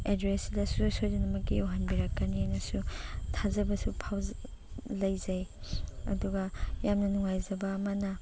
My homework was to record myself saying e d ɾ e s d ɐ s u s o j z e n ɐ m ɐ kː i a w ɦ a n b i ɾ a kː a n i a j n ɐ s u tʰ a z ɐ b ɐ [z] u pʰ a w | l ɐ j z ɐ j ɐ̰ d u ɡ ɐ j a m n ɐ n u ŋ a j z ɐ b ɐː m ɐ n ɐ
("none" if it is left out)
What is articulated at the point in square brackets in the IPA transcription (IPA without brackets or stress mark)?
s